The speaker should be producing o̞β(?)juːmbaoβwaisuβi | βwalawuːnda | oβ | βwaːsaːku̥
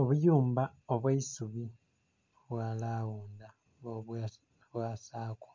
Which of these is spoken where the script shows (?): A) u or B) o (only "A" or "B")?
A